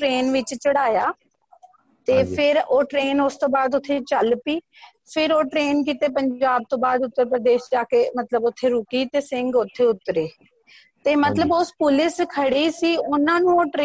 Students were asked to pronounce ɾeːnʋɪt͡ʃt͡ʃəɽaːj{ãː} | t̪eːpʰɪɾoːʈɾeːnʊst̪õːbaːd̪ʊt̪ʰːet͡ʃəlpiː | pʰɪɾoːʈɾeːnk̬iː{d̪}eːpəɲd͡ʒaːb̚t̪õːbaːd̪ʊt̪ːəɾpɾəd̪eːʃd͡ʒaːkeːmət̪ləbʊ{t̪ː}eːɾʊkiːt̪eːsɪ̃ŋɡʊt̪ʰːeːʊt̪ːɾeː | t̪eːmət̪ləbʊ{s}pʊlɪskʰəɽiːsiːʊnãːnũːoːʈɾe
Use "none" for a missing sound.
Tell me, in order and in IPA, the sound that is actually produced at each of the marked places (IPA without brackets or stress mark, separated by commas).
aː, t̪, t̪ʰː, s